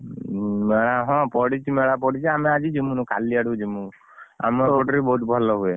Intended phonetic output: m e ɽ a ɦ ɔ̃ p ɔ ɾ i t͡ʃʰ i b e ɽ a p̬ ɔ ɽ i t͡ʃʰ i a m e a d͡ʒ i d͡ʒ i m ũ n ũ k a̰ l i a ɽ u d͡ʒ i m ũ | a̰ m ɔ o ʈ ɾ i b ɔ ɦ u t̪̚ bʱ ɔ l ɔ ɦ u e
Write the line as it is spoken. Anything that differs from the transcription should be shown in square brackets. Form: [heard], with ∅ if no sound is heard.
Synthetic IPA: m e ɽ a ɦ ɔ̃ p ɔ [ɽ] i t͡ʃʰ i [m] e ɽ a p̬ ɔ ɽ i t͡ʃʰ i a m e a d͡ʒ i d͡ʒ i m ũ n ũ k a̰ l i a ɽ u d͡ʒ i m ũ | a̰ m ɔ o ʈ ɾ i b ɔ ɦ u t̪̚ bʱ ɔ l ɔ ɦ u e